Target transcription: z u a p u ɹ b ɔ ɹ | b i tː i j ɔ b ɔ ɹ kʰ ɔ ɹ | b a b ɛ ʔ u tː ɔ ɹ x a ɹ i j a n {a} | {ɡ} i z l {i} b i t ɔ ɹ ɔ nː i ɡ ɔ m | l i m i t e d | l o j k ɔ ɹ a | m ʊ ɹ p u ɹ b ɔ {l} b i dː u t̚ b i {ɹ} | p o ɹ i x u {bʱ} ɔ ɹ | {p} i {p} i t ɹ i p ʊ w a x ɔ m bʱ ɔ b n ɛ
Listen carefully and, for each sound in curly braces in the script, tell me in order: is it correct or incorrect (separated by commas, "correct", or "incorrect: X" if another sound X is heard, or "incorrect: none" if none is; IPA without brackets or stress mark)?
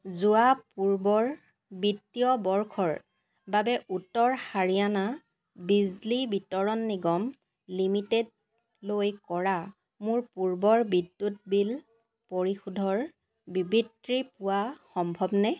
correct, incorrect: b, correct, incorrect: ɹ, incorrect: l, incorrect: dʱ, incorrect: b, incorrect: b